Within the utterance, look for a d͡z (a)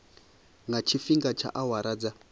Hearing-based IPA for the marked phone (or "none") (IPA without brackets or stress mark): a